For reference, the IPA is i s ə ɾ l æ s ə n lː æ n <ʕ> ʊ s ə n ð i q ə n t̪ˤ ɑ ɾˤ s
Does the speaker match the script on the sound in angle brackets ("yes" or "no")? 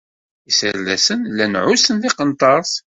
yes